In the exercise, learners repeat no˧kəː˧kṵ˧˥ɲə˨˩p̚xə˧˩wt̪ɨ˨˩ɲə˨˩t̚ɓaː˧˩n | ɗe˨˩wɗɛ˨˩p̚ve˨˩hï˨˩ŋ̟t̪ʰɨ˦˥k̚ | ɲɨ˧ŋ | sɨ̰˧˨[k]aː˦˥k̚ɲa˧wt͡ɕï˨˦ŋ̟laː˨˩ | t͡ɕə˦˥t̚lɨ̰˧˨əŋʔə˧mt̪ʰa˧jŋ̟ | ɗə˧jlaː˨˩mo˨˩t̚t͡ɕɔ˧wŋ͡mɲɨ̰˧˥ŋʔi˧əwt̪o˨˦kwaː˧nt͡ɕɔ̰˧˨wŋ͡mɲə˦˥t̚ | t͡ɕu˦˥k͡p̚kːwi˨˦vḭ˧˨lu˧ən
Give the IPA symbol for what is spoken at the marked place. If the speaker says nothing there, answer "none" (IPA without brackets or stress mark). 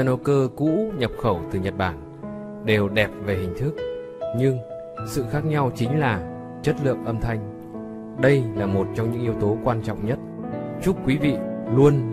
x